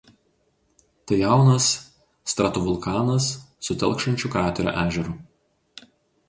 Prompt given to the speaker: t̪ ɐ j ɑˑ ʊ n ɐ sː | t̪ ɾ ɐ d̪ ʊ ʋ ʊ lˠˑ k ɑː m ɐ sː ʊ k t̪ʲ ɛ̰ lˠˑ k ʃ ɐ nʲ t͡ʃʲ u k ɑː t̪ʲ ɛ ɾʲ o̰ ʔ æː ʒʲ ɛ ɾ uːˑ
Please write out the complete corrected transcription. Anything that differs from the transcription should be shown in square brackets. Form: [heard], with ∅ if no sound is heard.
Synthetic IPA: t̪ ɐ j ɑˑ ʊ n ɐ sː | t̪ ɾ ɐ [t̪] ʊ ʋ ʊ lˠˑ k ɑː [n] ɐ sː ʊ [∅] t̪ʲ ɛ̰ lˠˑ k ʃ ɐ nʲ t͡ʃʲ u k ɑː t̪ʲ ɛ ɾʲ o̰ ʔ æː ʒʲ ɛ ɾ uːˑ

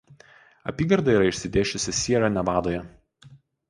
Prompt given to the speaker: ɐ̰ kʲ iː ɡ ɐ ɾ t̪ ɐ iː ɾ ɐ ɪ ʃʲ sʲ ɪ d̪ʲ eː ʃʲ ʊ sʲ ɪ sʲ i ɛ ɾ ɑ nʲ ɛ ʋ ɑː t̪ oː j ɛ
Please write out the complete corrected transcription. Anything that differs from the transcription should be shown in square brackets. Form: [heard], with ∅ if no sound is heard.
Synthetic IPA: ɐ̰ [pʲ] iː ɡ ɐ ɾ [d̪] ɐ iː ɾ ɐ ɪ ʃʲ sʲ ɪ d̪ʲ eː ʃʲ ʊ sʲ ɪ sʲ i ɛ ɾ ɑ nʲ ɛ ʋ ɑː [d̪] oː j ɛ

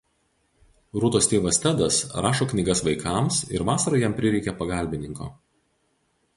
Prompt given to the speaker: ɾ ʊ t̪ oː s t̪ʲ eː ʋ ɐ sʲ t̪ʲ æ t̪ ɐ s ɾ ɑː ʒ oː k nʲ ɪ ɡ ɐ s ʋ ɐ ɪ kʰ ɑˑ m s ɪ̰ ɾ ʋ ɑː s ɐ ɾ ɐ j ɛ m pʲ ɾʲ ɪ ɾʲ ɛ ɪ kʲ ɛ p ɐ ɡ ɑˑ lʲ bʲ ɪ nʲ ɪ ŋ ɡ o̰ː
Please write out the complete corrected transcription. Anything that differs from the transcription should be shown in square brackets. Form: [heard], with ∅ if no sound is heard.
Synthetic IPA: ɾ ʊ t̪ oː s t̪ʲ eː ʋ ɐ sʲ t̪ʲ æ [d̪] ɐ s ɾ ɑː [ʃ] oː k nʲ ɪ ɡ ɐ s ʋ ɐ ɪ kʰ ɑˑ m s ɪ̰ ɾ ʋ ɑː s ɐ ɾ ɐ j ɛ m pʲ ɾʲ ɪ ɾʲ ɛ ɪ kʲ ɛ p ɐ ɡ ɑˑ lʲ bʲ ɪ nʲ ɪ ŋ [k] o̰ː

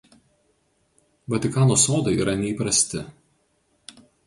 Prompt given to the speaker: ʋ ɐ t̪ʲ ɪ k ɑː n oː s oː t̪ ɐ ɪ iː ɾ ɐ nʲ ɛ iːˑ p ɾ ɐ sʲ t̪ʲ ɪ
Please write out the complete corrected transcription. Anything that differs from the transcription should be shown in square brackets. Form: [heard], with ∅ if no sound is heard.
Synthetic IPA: ʋ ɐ t̪ʲ ɪ k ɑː n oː s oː [d̪] ɐ ɪ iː ɾ ɐ nʲ ɛ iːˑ p ɾ ɐ sʲ t̪ʲ ɪ

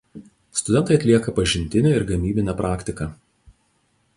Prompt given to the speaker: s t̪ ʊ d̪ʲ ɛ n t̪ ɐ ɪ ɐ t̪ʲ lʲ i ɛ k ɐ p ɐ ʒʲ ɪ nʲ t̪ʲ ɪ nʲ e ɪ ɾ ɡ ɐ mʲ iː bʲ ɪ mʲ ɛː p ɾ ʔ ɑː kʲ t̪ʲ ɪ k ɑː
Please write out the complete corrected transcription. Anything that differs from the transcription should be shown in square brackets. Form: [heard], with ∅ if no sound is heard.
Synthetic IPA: s t̪ ʊ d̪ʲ ɛ n t̪ ɐ ɪ ɐ t̪ʲ lʲ i ɛ k ɐ p ɐ ʒʲ ɪ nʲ t̪ʲ ɪ nʲ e ɪ ɾ ɡ ɐ mʲ iː bʲ ɪ [nʲ] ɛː p ɾ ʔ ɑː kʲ t̪ʲ ɪ k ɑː

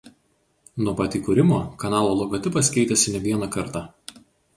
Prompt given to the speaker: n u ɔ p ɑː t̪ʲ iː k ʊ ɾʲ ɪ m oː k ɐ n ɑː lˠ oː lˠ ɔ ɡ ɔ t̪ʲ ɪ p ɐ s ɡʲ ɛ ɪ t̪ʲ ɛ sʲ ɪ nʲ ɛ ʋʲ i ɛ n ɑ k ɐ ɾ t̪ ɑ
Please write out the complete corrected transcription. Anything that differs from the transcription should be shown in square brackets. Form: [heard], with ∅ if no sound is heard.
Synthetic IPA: n u ɔ p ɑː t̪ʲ iː k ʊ ɾʲ ɪ m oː k ɐ n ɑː lˠ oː lˠ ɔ ɡ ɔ t̪ʲ ɪ p ɐ s [kʲ] ɛ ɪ t̪ʲ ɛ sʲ ɪ nʲ ɛ ʋʲ i ɛ n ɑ k ɐ ɾ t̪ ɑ

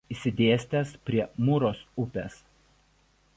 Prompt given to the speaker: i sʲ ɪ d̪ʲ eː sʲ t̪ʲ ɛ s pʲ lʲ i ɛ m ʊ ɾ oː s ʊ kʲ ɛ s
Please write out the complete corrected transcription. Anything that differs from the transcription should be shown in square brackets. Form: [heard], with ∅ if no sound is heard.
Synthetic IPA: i sʲ ɪ d̪ʲ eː sʲ t̪ʲ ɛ s pʲ [ɾʲ] i ɛ m ʊ ɾ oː s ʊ [pʲ] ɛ s

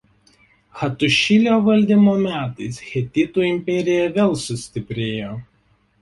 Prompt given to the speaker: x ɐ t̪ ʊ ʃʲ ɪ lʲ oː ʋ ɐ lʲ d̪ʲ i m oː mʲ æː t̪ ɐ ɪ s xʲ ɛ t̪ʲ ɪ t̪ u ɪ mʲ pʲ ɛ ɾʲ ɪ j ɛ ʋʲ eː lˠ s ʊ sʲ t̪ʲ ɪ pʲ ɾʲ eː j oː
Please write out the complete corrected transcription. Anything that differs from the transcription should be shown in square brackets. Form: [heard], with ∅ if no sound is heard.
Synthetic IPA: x ɐ t̪ ʊ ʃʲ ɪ lʲ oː ʋ ɐ lʲ d̪ʲ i m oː mʲ æː t̪ ɐ ɪ s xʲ ɛ t̪ʲ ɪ t̪ u ɪ mʲ pʲ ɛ ɾʲ ɪ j ɛ ʋʲ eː lˠ s ʊ sʲ t̪ʲ ɪ pʲ ɾʲ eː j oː

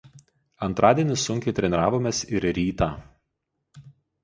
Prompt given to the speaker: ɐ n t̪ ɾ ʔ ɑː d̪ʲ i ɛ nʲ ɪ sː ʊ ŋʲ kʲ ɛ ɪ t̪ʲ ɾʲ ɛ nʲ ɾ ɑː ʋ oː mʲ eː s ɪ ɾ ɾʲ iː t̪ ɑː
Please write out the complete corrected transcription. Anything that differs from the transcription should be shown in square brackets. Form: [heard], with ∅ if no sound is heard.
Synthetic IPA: ɐ n t̪ ɾ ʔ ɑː d̪ʲ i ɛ nʲ ɪ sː ʊ ŋʲ kʲ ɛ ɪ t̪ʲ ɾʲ ɛ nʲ ɾ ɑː ʋ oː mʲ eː s ɪ ɾ ɾʲ iː t̪ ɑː

